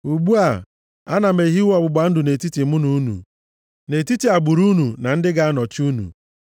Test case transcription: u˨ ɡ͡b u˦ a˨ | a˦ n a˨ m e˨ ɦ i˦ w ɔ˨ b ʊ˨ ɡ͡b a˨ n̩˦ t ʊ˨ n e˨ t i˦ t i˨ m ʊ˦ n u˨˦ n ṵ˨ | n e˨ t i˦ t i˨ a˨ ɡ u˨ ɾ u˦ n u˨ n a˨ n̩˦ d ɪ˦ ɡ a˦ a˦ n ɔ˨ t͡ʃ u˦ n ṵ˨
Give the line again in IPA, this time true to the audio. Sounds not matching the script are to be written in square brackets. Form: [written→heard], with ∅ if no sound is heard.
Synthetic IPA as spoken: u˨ ɡ͡b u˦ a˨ | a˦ n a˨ m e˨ ɦ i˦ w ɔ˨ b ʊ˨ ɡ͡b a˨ n̩˦ [t→d] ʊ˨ n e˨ t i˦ t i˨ m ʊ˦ n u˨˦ n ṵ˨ | n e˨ t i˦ t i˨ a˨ [ɡ→ɡ͡b] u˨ ɾ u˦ n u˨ n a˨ n̩˦ d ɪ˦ ɡ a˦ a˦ n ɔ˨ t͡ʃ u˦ n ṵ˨